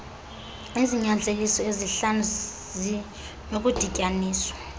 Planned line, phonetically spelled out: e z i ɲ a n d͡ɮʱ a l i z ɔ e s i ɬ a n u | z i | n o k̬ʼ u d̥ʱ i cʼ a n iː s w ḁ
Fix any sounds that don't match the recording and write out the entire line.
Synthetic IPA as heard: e z i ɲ a n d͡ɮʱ e l i s ɔ e z i ɬ a n u | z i | n o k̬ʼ u d̥ʱ i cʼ a n iː s w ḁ

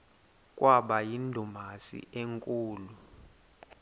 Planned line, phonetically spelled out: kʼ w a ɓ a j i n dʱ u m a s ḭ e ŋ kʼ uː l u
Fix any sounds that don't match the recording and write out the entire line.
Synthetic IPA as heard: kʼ w a ɓ a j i n dʱ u m a s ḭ e ŋ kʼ uː l u

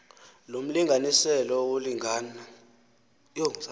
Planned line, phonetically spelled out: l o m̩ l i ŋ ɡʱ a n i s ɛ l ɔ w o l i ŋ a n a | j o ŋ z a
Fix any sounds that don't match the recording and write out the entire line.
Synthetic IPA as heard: l o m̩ l i ŋ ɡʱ a n i s ɛ l ɔ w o l i ŋ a n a | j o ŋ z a

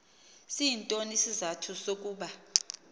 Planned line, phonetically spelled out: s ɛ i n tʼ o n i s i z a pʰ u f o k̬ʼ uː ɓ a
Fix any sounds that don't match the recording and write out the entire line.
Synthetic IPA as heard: s i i n tʼ o n i s i z a tʰ u s o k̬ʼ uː ɓ a

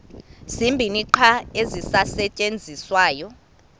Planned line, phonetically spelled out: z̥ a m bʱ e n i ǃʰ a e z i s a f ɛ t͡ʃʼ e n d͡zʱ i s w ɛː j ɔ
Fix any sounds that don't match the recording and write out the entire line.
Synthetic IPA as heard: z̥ i m bʱ i n i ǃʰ a e z i s a s ɛ t͡ʃʼ e n d͡zʱ i s w aː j ɔ

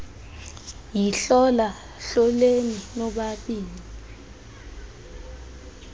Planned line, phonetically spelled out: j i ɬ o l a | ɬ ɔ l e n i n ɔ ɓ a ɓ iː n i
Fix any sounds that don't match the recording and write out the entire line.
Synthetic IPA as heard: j i ɬ ɔ l a | ɬ ɔ l e n i n ɔ ɓ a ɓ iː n i

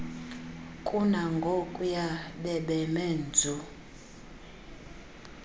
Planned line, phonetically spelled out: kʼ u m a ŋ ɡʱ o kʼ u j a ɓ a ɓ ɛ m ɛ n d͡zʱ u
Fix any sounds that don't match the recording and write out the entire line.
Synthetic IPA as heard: kʼ u n a ŋ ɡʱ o kʼ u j a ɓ ɛ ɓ ɛ m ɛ n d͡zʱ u

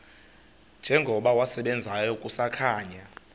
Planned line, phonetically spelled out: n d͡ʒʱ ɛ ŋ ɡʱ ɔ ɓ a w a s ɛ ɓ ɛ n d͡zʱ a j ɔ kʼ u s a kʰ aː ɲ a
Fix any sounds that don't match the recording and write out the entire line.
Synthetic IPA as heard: n d͡ʒʱ ɛ ŋ ɡʱ ɔ ɓ a w a s ɛ ɓ ɛ n d͡zʱ a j ɔ kʼ u s a kʰ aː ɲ a

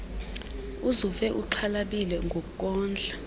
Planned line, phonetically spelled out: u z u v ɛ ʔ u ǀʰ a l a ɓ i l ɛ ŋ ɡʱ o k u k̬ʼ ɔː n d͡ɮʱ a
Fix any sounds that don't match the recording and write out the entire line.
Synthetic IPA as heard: u z u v ɛ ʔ u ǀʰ a l a ɓ i l ɛ ŋ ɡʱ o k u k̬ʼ ɔː n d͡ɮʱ a

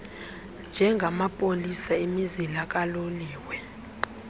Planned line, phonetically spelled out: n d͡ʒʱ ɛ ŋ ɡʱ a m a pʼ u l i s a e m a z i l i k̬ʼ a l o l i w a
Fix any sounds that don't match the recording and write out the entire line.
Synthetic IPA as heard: n d͡ʒʱ ɛ ŋ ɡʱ a m a pʼ o l i s a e m i z i l a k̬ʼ a l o l iː w ɛ

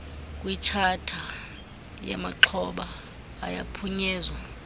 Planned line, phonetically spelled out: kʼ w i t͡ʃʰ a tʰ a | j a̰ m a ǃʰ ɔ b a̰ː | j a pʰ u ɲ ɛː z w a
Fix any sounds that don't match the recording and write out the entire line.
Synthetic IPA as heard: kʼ w i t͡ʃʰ a tʰ a | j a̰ m a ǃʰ ɔ ɓ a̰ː | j a pʰ u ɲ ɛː z w a

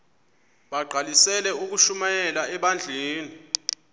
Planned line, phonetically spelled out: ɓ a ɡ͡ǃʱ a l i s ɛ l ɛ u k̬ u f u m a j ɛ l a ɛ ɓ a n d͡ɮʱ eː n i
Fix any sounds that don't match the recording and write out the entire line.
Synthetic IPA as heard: ɓ a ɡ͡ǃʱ a l i s ɛ l ɛ u k̬ u ʃ u m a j ɛ l a ɛ ɓ a n d͡ɮʱ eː n i

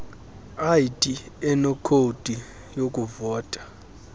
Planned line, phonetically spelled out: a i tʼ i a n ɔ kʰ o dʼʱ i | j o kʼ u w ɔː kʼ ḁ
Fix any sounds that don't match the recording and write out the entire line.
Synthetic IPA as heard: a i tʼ i ɛ n ɔ kʰ o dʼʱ i | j o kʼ u v ɔː tʼ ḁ

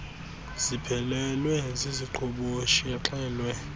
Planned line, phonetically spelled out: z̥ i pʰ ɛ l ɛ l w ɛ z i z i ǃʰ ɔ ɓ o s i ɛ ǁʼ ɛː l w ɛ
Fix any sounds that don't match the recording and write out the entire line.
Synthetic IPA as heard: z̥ i pʰ ɛ l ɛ l w ɛ z i z i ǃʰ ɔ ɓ o ʃ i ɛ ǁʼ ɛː l w ɛ

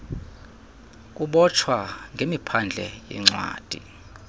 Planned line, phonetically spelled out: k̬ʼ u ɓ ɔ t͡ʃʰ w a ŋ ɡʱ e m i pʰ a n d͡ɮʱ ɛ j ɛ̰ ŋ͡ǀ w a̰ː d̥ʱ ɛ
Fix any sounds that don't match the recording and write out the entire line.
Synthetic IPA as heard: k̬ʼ u ɓ ɔ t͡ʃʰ w a ŋ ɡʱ e m i pʰ a n d͡ɮʱ ɛ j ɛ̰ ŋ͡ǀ w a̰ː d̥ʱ i

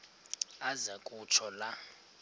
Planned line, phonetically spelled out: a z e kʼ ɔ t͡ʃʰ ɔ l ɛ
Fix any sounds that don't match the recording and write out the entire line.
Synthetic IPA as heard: a z a kʼ u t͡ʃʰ ɔ l a

